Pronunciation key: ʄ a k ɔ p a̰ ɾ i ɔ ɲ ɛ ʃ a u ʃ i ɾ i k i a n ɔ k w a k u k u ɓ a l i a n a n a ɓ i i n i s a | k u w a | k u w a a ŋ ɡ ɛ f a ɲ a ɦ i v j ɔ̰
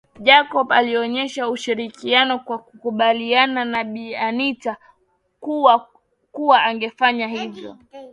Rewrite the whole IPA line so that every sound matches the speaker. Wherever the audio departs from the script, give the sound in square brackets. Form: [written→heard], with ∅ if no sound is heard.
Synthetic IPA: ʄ a k ɔ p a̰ [ɾ→l] i ɔ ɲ ɛ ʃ a u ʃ i ɾ i k i a n ɔ k w a k u k u ɓ a l i a n a n a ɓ i [i→a] n i [s→t] a | k u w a | k u w a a ŋ ɡ ɛ f a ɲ a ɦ i v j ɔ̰